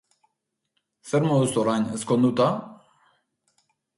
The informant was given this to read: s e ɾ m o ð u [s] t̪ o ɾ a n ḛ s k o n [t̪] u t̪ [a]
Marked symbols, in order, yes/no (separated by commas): yes, no, yes